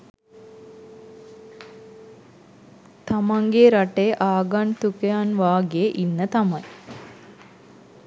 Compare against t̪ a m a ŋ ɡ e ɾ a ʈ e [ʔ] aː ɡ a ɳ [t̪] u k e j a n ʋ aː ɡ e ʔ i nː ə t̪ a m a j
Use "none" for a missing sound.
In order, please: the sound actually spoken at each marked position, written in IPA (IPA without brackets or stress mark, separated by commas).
ʔ, t̪